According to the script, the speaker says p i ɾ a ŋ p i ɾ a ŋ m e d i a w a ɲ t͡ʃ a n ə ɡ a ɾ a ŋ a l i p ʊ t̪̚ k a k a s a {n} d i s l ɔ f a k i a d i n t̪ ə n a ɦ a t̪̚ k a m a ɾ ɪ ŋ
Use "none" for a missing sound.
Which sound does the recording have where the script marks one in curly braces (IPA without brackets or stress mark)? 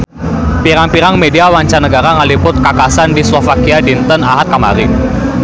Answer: n